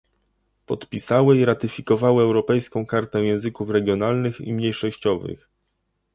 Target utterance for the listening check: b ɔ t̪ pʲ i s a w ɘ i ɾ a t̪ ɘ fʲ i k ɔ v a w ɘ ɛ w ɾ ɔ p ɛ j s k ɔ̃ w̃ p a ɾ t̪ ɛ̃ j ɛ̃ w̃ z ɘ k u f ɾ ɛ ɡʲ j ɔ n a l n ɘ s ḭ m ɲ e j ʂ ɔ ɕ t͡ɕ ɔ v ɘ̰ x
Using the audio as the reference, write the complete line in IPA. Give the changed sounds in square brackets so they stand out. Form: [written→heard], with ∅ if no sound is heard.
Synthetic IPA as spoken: [b→p] ɔ t̪ pʲ i s a w ɘ i ɾ a t̪ ɘ fʲ i k ɔ v a w ɘ ɛ w ɾ ɔ p ɛ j s k ɔ̃ w̃ [p→k] a ɾ t̪ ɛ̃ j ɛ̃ w̃ z ɘ k u f ɾ ɛ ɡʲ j ɔ n a l n ɘ [s→x] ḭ m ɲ e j ʂ ɔ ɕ t͡ɕ ɔ v ɘ̰ x